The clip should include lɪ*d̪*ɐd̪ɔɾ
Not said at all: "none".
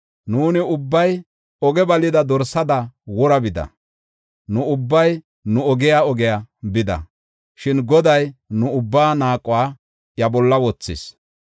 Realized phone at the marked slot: d̪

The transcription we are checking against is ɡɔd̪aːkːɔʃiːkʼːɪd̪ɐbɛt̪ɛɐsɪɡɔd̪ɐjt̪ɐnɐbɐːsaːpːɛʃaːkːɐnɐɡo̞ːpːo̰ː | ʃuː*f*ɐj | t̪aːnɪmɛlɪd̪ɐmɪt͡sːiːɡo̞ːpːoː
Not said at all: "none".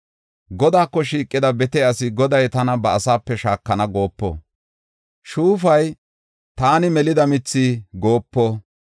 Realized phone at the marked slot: f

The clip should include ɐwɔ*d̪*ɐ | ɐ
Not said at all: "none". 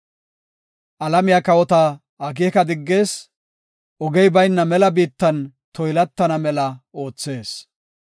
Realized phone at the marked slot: t̪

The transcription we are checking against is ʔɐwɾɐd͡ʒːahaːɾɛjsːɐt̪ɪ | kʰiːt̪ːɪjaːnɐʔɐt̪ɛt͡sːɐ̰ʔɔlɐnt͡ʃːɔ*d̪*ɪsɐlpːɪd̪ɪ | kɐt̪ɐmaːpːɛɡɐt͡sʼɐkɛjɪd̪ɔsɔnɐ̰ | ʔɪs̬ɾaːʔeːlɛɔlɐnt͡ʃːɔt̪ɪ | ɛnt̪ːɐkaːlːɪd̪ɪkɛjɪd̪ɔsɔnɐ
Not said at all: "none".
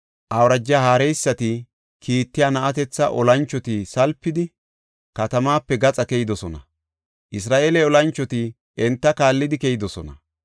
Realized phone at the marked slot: t̪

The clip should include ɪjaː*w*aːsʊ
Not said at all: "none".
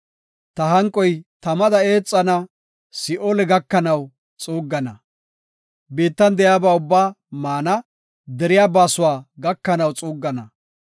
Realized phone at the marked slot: b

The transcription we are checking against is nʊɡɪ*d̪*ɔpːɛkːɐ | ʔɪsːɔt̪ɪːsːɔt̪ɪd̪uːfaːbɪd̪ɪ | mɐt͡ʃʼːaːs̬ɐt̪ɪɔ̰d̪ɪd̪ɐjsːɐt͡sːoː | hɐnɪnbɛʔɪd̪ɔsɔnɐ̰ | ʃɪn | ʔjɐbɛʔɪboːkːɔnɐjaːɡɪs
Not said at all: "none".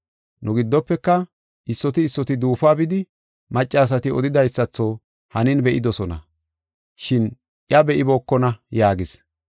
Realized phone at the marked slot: d̪ː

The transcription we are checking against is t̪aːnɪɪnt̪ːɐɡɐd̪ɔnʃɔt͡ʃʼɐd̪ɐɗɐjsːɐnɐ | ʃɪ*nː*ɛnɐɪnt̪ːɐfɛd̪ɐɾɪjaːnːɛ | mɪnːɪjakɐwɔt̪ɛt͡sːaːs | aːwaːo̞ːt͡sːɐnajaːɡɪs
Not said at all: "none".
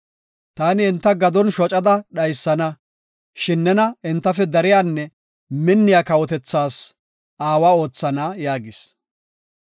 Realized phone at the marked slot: nː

